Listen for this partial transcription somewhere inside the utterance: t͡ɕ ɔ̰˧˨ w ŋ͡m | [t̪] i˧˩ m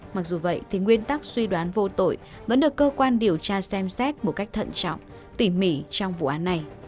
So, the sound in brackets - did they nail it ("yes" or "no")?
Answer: yes